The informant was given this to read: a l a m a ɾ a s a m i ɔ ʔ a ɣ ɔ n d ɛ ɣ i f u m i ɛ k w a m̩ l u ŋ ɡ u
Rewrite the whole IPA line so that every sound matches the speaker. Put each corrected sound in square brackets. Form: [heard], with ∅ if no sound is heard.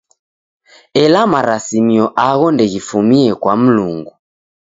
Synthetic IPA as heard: [ɛ] l a m a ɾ a s [i] m i ɔ ʔ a ɣ ɔ n d ɛ ɣ i f u m i ɛ k w a m̩ l u ŋ ɡ u